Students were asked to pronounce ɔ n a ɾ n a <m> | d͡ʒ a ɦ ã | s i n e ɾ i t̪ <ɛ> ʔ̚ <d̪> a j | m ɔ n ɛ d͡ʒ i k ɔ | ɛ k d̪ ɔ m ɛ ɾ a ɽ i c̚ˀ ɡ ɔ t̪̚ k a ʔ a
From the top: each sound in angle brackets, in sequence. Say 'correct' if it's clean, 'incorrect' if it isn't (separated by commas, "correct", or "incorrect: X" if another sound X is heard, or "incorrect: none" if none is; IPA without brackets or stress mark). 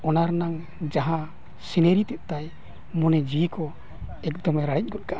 incorrect: ŋ, correct, incorrect: t̪